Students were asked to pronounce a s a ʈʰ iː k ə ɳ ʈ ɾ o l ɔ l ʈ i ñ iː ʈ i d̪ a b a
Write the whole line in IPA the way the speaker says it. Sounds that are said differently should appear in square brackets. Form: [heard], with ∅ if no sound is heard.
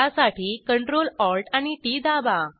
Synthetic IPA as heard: a s a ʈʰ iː k ə ɳ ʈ ɾ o l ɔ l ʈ [a] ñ [i] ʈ i d̪ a b a